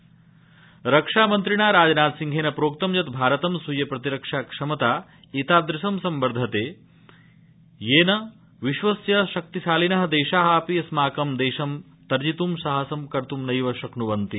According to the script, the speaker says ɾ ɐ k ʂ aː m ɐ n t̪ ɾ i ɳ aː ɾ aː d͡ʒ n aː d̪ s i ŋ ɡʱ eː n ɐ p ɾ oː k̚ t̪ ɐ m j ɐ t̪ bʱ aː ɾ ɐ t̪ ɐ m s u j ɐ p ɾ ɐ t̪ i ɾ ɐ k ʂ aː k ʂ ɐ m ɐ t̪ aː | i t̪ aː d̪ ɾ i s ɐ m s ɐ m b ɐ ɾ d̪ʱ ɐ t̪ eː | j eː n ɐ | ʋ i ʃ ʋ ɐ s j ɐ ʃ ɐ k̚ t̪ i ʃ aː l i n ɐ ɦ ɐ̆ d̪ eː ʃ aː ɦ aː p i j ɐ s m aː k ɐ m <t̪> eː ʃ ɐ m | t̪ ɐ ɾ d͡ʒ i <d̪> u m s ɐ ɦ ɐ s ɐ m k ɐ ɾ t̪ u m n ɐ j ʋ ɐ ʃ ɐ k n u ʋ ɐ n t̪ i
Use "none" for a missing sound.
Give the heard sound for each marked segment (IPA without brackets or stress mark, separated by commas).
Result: d̪, t̪